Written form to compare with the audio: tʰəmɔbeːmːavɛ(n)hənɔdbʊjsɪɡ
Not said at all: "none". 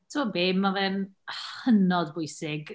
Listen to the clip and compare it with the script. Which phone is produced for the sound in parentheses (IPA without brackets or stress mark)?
n